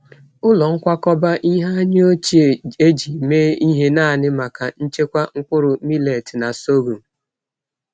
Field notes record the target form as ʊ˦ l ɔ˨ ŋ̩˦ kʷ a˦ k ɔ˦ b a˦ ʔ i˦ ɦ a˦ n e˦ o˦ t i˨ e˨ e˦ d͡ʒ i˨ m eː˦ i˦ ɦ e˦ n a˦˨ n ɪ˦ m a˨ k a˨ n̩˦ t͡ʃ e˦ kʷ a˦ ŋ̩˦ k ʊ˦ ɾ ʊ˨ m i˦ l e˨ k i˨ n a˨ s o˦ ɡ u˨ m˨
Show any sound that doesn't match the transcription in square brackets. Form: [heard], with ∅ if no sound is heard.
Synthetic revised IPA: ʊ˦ l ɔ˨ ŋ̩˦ kʷ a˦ k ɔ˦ b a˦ ʔ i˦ ɦ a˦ [ɲ] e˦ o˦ [t͡ʃ] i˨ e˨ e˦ d͡ʒ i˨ m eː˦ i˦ ɦ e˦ n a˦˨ n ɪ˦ m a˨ k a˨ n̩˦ t͡ʃ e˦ kʷ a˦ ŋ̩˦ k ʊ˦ ɾ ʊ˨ m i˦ l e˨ [t] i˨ n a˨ s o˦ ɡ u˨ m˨

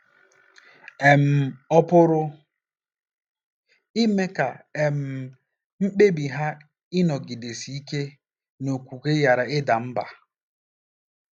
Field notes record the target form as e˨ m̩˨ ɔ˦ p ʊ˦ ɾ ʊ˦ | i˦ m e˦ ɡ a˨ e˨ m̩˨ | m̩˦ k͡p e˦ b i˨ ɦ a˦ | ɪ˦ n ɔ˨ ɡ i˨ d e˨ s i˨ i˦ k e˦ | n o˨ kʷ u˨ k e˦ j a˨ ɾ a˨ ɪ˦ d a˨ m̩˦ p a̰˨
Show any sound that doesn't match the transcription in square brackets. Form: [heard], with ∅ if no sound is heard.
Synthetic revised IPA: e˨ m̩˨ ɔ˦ p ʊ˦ ɾ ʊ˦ | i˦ m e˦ [k] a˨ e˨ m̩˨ | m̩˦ k͡p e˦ b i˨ ɦ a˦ | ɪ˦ n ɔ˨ ɡ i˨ d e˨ s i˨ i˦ k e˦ | n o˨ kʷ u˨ k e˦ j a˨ ɾ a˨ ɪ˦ d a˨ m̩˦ [b] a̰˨

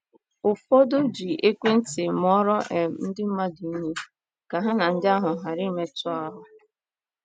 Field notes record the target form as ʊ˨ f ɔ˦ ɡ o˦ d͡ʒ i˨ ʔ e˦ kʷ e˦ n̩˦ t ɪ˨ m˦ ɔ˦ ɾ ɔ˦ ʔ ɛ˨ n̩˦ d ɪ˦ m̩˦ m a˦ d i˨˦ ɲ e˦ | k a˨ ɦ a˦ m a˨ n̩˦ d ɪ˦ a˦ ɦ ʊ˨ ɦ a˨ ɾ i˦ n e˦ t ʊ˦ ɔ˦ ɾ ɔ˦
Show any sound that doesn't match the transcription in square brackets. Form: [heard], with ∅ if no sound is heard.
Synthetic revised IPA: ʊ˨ f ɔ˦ [d] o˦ d͡ʒ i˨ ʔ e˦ kʷ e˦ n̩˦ t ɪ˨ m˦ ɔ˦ ɾ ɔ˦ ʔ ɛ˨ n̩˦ d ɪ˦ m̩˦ m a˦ d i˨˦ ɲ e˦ | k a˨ ɦ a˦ [n] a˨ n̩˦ d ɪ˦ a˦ ɦ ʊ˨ ɦ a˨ ɾ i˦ [m] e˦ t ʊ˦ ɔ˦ ɾ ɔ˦

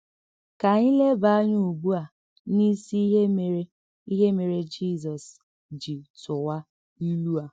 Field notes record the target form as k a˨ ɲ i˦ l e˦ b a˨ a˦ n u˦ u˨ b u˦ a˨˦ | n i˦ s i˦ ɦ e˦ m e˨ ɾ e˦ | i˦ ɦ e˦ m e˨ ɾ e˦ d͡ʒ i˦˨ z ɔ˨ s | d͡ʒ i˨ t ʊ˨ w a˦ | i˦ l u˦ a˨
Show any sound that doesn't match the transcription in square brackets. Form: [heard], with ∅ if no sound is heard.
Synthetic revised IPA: k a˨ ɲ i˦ l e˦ b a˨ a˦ [ɲ] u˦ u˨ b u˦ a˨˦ | n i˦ s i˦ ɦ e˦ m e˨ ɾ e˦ | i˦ ɦ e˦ m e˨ ɾ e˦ d͡ʒ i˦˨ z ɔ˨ s | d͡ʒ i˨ t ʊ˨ w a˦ | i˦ l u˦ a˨

